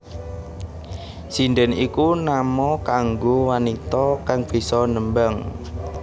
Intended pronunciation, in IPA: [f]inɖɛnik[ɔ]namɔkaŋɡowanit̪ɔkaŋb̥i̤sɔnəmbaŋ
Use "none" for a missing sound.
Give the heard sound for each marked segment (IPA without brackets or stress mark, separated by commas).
s, u